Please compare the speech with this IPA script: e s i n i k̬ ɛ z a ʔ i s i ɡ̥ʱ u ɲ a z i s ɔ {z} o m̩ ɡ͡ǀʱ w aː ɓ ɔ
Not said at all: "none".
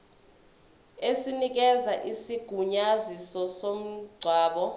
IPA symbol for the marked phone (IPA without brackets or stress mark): s